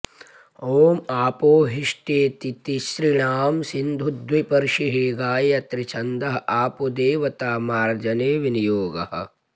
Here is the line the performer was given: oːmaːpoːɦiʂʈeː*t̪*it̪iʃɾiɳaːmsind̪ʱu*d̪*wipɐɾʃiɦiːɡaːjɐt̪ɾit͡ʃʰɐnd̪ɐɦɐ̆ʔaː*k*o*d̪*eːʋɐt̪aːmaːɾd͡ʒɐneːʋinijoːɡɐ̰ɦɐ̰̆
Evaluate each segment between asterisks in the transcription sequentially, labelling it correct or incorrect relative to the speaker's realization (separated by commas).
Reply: correct, correct, incorrect, correct